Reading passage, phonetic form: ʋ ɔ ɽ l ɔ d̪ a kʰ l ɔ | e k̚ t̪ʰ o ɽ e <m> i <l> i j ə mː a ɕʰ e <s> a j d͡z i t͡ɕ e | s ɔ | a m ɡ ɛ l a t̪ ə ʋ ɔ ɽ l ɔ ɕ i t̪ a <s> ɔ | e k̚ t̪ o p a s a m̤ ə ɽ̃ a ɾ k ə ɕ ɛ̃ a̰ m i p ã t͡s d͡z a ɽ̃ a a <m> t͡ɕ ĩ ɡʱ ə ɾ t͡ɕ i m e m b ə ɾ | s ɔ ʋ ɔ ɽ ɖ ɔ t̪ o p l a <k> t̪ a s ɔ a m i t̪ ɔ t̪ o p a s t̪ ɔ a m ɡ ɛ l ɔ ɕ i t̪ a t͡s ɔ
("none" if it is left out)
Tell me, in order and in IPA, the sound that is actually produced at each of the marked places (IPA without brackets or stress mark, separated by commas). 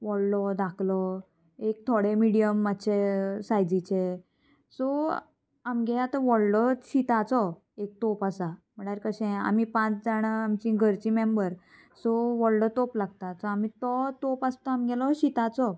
m, ɽ, s, t͡s, m, ɡ